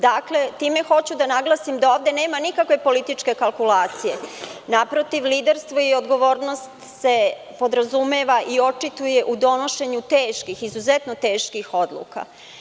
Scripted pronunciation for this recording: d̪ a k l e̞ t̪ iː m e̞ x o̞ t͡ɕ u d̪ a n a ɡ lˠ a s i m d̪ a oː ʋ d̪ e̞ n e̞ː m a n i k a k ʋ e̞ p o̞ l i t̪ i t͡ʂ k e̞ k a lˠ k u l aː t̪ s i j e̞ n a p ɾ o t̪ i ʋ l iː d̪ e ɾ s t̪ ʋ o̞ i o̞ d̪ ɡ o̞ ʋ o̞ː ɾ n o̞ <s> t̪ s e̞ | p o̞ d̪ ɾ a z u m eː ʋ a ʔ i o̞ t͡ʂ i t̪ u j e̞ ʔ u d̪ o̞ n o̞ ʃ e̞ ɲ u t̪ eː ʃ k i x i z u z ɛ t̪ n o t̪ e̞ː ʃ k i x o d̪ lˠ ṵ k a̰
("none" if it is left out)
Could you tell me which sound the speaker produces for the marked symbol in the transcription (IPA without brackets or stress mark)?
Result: s